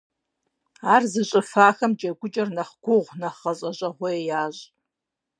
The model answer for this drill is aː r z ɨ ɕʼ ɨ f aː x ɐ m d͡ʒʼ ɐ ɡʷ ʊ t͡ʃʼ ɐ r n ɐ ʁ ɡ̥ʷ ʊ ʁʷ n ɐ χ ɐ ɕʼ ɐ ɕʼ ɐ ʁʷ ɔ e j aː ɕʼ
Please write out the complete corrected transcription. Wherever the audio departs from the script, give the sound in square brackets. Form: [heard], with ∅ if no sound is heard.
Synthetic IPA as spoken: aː r z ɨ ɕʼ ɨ f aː x ɐ m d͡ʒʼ ɐ ɡʷ ʊ t͡ʃʼ ɐ r n ɐ [χ] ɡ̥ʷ ʊ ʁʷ n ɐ χ ɐ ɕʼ ɐ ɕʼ ɐ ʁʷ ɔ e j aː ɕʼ